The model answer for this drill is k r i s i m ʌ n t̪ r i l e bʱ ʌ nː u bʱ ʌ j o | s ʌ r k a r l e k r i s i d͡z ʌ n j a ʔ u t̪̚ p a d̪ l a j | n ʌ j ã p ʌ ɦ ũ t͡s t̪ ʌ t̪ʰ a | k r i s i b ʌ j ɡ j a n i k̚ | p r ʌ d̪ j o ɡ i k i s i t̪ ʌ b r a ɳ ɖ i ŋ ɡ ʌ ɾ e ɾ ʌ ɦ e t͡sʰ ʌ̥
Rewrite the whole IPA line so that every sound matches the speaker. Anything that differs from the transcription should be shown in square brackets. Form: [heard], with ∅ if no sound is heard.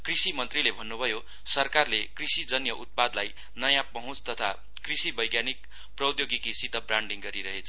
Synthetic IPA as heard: k r i s i m ʌ n t̪ r i l e bʱ ʌ nː u bʱ ʌ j o | s ʌ r k a r l e k r i s i d͡z ʌ n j [ʌ] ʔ u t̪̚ p a d̪ l a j | n ʌ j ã p ʌ ɦ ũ t͡s t̪ ʌ t̪ʰ a | k r i s i b ʌ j ɡ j a n i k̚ | p r ʌ d̪ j o ɡ i k i s i t̪ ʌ b r a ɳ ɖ i ŋ ɡ ʌ ɾ [i] ɾ ʌ ɦ e t͡sʰ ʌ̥